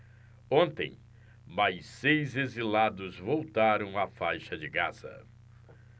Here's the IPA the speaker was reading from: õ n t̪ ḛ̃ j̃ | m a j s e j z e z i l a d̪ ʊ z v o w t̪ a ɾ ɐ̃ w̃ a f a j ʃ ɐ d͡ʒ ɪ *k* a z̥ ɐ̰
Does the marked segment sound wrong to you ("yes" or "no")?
yes